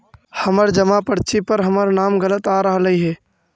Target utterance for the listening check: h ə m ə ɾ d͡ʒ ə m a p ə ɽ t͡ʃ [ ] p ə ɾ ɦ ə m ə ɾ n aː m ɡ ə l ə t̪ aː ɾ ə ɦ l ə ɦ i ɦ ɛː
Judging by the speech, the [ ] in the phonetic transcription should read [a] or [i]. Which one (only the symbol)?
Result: i